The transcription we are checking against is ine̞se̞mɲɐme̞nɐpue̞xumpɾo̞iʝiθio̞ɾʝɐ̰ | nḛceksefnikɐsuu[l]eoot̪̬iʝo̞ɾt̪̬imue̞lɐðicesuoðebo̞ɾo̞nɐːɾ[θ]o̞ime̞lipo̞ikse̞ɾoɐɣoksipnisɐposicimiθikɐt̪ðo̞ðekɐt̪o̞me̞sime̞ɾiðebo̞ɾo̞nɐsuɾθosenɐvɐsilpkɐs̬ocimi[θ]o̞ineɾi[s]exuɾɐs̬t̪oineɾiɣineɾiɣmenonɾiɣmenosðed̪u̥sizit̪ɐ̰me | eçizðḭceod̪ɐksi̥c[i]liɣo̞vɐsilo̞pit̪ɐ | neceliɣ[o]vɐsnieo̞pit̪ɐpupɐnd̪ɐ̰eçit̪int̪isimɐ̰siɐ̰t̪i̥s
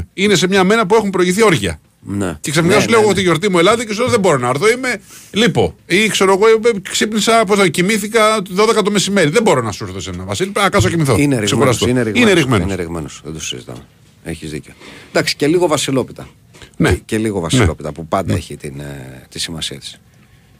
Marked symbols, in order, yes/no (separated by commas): yes, yes, yes, yes, no, yes